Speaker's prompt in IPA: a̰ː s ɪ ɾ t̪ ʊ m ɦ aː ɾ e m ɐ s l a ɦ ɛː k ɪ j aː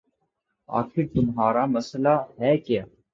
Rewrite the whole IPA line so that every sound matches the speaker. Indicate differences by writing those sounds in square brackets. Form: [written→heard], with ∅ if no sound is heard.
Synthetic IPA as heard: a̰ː [s→x] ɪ ɾ t̪ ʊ m ɦ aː ɾ [e→a] m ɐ s l a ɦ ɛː k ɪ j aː